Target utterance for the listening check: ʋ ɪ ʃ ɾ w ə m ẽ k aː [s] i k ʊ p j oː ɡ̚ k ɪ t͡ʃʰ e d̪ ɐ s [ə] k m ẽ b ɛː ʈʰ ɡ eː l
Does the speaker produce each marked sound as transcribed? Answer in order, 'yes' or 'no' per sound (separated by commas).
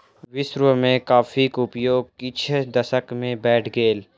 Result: no, yes